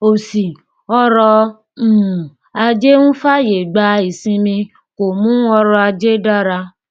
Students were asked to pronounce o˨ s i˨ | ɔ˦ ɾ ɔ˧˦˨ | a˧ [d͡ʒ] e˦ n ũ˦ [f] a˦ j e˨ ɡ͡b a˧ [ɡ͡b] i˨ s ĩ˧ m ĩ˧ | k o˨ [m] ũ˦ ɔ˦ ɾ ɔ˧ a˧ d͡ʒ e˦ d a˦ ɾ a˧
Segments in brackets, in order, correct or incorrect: correct, correct, incorrect, correct

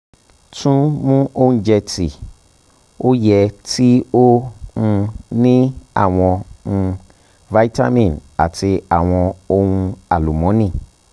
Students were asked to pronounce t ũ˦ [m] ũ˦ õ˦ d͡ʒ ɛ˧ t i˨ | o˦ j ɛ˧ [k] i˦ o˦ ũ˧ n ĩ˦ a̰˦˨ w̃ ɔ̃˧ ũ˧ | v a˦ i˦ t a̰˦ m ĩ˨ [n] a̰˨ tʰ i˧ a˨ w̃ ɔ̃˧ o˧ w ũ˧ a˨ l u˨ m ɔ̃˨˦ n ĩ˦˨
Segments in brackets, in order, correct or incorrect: correct, incorrect, correct

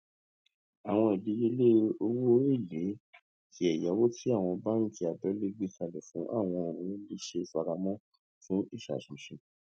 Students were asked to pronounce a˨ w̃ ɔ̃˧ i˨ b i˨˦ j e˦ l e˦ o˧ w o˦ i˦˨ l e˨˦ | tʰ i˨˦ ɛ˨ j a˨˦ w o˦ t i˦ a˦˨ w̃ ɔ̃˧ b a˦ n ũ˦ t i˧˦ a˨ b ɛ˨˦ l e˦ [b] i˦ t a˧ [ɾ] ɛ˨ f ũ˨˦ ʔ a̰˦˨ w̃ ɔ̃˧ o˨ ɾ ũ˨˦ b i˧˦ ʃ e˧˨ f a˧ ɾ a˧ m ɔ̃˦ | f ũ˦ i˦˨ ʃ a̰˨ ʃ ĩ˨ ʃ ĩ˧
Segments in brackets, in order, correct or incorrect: incorrect, incorrect

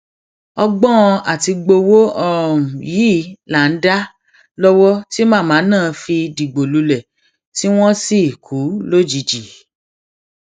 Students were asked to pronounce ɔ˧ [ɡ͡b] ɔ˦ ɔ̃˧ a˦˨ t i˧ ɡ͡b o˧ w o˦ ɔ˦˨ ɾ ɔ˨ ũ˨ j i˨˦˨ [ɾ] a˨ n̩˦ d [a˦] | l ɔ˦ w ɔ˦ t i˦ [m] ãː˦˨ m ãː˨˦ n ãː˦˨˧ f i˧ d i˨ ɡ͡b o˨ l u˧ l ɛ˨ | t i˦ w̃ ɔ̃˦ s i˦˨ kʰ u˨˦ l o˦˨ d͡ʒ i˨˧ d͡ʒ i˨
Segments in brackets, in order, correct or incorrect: correct, incorrect, correct, correct

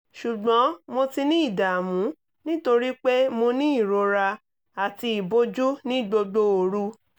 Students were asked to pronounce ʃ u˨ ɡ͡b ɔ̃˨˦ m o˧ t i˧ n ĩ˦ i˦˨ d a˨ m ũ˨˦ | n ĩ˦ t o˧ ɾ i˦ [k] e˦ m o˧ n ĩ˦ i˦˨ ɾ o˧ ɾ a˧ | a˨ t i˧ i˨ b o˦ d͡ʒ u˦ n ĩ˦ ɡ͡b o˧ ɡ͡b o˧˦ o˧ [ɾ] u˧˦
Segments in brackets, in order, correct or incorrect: incorrect, correct

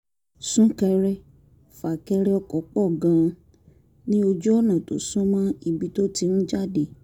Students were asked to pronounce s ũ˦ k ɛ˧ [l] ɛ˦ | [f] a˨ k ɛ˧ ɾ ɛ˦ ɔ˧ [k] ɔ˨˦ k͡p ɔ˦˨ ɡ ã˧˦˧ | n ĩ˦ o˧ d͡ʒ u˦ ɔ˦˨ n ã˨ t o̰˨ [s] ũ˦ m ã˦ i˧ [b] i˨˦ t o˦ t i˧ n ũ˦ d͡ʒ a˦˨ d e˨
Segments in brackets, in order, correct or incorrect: incorrect, correct, correct, correct, correct

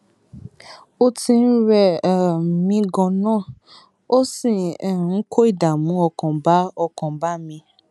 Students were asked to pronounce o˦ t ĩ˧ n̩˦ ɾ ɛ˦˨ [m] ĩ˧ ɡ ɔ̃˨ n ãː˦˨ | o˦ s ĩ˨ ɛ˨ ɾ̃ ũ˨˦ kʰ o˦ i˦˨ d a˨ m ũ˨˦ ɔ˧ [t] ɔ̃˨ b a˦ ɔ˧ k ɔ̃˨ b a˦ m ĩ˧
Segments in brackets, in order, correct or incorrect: correct, incorrect

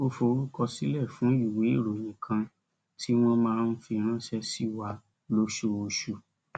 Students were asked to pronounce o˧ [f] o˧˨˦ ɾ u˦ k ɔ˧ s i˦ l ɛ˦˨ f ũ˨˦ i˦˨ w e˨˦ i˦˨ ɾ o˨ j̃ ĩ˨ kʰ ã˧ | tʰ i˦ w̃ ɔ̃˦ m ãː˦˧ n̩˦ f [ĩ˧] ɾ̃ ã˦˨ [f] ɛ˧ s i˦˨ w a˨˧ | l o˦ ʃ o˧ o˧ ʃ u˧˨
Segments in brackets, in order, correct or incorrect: correct, incorrect, incorrect

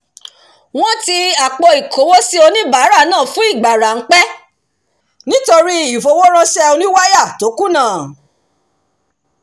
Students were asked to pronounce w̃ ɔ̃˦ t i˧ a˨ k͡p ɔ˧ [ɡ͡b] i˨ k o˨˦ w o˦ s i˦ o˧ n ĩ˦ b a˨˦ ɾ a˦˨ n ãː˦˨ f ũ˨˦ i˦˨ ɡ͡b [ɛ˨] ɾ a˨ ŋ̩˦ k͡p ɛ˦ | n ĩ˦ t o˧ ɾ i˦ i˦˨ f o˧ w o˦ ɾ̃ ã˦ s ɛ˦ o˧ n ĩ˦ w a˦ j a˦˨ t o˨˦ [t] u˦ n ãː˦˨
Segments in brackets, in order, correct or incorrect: incorrect, incorrect, incorrect

